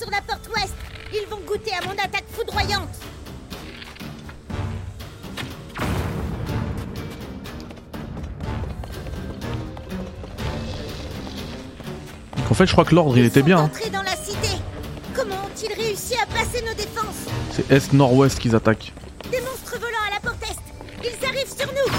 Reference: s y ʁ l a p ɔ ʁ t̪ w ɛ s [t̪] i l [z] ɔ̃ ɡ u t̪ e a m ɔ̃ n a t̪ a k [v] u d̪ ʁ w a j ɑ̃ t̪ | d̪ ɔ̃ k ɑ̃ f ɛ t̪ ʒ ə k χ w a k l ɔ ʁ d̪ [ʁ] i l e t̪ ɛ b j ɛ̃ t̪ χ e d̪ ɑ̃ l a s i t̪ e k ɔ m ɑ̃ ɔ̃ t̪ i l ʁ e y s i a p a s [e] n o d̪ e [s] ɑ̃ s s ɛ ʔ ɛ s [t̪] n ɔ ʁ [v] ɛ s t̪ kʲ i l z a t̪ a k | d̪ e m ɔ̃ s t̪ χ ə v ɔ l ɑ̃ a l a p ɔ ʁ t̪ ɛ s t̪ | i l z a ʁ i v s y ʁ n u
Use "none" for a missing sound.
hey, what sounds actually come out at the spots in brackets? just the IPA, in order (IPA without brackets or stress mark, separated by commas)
t̪, v, f, ʁ, e, f, t̪, w